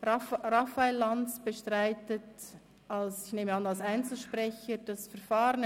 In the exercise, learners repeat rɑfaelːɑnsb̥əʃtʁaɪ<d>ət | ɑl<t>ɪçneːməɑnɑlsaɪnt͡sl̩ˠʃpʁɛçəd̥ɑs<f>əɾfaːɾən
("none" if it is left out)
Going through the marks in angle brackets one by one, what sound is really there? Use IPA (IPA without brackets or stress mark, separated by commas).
t, s, f